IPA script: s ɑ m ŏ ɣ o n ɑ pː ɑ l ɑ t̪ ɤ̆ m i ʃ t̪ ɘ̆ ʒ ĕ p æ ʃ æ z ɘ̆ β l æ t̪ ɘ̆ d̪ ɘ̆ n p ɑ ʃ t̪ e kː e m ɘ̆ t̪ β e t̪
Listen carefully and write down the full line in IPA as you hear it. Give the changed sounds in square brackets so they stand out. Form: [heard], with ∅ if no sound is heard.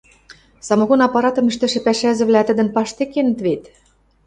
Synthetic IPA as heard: s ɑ m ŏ ɣ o n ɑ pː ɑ [ɾ] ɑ t̪ ɤ̆ m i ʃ t̪ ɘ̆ [ʃ] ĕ p æ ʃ æ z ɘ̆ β l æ t̪ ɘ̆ d̪ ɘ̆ n p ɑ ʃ t̪ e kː e [n] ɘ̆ t̪ β e t̪